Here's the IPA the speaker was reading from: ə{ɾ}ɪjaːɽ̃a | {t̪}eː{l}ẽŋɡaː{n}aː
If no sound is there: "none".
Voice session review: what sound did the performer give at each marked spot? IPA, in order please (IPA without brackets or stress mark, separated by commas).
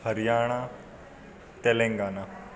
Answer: ɾ, t̪, l, n